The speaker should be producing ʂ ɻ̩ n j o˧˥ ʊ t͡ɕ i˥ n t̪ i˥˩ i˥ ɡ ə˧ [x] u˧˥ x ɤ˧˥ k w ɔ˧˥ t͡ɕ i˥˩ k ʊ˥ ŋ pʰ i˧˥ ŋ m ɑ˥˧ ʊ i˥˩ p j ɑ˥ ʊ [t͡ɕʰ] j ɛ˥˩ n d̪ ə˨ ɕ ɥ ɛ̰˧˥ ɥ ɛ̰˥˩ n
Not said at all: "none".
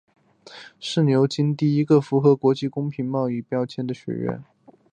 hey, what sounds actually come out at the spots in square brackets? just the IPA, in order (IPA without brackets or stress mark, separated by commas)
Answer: f, t͡ɕʰ